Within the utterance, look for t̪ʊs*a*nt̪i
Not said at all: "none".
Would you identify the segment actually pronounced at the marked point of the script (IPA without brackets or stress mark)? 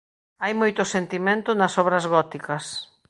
e